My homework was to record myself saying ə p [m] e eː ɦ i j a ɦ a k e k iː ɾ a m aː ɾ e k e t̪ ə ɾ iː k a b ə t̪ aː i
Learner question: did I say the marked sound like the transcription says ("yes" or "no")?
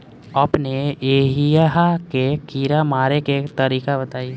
no